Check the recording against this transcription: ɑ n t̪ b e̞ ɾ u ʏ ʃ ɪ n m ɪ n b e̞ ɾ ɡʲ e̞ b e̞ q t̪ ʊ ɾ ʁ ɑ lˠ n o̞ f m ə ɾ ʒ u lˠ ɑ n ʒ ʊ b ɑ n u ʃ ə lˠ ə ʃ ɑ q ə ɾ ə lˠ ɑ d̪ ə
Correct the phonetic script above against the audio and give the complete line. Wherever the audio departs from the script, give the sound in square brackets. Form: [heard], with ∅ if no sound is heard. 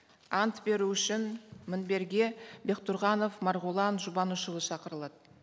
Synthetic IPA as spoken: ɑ n t̪ b e̞ ɾ u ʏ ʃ ɪ n m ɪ n b e̞ ɾ ɡʲ e̞ b e̞ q t̪ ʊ ɾ ʁ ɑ [∅] n o̞ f m [ɑ] ɾ [ʁ] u lˠ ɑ n ʒ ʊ b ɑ n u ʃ ə lˠ ə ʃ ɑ q ə ɾ ə lˠ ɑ d̪ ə